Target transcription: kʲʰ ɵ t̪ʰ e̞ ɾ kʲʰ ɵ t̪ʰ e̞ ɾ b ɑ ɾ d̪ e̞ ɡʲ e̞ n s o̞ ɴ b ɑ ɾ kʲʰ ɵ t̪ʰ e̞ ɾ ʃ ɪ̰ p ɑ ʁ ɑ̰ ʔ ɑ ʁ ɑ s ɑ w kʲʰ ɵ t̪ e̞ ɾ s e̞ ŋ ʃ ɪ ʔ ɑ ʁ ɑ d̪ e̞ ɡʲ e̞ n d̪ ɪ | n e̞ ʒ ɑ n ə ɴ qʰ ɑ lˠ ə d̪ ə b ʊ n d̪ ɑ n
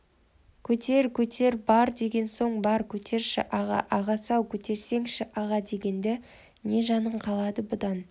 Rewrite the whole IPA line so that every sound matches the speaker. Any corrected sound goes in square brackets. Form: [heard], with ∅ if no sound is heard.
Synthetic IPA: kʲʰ ɵ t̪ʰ e̞ ɾ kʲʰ ɵ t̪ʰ e̞ ɾ b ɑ ɾ d̪ e̞ ɡʲ e̞ n s o̞ ɴ b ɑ ɾ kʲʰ ɵ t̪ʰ e̞ ɾ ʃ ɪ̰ [ʔ] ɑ ʁ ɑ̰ ʔ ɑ ʁ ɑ s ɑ w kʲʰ ɵ t̪ e̞ ɾ s e̞ ŋ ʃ ɪ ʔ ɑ ʁ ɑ d̪ e̞ ɡʲ e̞ n d̪ ɪ | n e̞ ʒ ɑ n ə ɴ qʰ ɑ lˠ [ɑ] d̪ ə b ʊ [∅] d̪ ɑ n